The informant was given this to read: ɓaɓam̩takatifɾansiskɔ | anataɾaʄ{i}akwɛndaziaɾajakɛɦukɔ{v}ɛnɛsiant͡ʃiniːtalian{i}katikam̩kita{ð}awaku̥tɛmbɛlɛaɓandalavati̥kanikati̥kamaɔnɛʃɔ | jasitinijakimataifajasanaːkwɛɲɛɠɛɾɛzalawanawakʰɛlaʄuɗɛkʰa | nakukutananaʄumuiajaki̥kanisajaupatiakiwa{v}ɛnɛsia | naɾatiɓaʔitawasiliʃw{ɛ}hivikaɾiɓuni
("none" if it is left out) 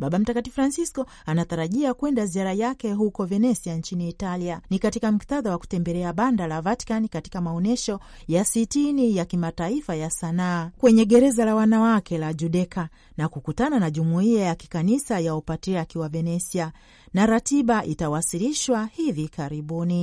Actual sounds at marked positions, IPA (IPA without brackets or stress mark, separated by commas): i, v, i, ð, v, a